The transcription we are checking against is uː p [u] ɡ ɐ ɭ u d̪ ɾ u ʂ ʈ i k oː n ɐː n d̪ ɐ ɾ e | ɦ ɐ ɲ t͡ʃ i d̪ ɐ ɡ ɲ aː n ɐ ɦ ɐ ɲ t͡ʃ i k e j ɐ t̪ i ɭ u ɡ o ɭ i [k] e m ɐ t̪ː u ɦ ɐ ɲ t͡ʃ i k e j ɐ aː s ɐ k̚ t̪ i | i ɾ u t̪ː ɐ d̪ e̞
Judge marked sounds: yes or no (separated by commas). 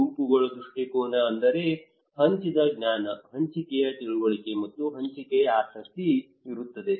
yes, yes